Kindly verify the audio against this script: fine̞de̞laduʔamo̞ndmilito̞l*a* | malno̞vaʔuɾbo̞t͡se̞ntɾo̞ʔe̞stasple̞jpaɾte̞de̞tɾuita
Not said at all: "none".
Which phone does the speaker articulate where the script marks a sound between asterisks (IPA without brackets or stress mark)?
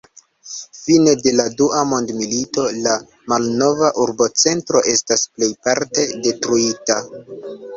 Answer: a